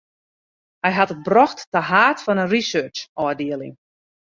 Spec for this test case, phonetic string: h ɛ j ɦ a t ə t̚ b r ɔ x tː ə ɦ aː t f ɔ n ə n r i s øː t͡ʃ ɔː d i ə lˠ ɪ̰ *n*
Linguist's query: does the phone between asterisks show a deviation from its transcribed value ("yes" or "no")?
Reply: yes